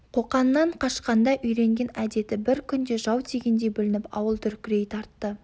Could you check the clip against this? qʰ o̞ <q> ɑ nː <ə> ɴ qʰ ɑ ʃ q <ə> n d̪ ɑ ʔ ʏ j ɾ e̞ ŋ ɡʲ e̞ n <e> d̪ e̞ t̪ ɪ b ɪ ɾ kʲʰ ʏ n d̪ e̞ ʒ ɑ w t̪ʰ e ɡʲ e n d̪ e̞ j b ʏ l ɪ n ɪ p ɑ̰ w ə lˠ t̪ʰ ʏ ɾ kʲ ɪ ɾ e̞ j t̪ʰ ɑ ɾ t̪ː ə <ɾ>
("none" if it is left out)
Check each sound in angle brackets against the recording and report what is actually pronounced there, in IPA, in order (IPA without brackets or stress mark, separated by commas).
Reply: q, ɑ, ɑ, æ, none